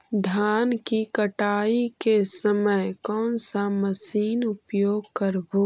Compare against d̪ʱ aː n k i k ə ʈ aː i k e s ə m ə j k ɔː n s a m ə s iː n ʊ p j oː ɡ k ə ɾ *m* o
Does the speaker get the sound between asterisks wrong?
yes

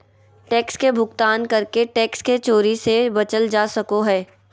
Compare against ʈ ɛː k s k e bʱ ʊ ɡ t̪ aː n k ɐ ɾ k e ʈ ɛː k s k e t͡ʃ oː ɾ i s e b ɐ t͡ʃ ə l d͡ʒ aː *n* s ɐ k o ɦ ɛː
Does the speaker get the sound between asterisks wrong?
yes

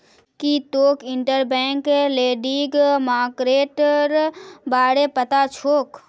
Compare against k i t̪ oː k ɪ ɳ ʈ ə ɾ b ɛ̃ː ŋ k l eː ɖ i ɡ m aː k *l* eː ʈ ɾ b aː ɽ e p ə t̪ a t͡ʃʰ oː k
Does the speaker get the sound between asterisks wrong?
yes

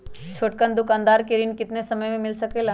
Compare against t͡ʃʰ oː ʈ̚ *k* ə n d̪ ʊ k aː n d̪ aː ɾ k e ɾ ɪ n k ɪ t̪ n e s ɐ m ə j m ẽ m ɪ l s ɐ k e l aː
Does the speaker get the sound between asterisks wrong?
no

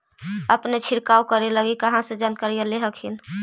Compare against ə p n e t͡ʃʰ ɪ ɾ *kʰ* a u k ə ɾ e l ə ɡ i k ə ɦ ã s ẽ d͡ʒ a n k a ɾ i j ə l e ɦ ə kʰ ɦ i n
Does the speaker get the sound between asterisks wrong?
yes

